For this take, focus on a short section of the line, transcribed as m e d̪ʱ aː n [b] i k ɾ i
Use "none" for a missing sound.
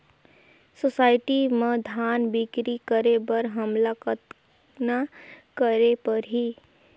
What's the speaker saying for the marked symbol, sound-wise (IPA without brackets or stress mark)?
b